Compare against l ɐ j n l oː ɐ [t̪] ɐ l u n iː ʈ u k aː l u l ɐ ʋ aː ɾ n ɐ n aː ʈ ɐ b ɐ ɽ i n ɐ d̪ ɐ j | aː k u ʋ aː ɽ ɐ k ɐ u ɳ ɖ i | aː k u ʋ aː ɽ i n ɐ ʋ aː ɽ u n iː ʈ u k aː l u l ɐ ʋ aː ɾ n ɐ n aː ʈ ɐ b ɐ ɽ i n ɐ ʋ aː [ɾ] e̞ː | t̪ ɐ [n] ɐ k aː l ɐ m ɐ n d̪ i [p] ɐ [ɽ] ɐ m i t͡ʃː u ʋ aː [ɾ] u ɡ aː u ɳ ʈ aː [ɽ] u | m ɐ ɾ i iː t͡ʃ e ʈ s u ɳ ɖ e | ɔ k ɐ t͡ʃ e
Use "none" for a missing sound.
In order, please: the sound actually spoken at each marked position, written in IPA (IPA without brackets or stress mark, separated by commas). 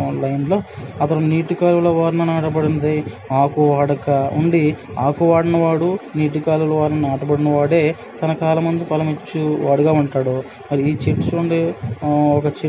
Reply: t̪, ɽ, n, p, l, ɽ, ɽ